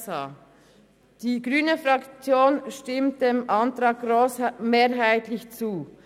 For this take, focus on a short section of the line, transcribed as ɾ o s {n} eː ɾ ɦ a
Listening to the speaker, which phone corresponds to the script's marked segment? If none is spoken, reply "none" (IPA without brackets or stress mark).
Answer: m